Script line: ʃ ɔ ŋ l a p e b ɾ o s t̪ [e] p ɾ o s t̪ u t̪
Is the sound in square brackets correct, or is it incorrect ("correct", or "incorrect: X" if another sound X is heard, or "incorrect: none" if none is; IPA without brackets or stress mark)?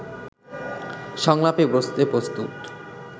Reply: correct